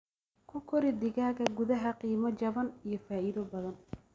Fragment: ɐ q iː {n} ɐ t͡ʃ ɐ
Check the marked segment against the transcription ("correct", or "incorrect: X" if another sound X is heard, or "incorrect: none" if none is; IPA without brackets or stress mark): incorrect: m